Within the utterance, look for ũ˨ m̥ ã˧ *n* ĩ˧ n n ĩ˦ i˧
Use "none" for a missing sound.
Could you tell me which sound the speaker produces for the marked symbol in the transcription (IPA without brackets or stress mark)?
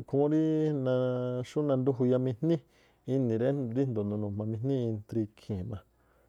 m